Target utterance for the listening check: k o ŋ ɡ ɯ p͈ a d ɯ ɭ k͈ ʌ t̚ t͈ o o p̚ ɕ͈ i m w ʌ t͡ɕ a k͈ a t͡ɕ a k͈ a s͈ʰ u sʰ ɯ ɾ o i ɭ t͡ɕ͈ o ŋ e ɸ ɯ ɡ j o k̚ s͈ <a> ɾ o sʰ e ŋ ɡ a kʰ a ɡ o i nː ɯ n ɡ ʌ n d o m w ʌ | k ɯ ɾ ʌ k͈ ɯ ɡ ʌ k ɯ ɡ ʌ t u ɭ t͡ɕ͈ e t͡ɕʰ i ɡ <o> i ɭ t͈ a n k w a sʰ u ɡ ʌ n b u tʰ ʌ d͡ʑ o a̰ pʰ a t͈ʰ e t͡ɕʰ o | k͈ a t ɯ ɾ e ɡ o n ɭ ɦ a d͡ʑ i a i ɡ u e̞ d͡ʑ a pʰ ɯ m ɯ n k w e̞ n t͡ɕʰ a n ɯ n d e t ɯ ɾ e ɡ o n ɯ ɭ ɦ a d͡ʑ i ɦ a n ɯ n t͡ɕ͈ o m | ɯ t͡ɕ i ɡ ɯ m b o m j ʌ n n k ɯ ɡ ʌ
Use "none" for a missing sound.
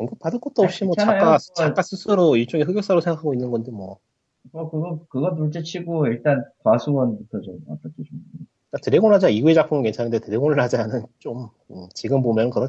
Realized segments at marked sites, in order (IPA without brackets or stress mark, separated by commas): a, o